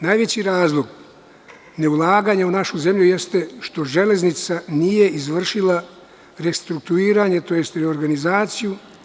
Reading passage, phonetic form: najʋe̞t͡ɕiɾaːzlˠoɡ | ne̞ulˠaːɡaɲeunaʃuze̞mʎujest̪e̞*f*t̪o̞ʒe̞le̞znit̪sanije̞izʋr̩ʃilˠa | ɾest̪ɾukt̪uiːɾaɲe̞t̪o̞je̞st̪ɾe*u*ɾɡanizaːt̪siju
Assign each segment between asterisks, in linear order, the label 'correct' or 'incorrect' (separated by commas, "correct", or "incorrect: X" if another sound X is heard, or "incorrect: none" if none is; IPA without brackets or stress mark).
incorrect: ʃ, incorrect: o